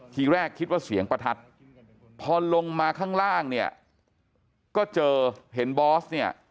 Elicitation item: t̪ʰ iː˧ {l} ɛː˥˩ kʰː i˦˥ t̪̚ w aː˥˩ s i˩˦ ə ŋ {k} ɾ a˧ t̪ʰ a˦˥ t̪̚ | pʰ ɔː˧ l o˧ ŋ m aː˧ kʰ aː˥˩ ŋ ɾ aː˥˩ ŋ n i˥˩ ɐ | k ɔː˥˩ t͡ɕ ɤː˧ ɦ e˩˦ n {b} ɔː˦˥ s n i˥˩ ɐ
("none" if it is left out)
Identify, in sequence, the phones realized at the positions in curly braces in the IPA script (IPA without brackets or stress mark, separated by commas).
ɾ, p, b